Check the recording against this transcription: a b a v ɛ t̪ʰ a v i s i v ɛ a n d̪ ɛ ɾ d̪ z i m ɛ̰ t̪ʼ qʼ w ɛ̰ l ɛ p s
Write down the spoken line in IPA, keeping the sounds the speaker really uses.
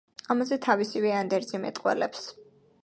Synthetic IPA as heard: a m a z ɛ t̪ʰ a v i s i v ɛ a n d̪ ɛ ɾ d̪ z i m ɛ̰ t̪ʼ qʼ w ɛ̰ l ɛ p s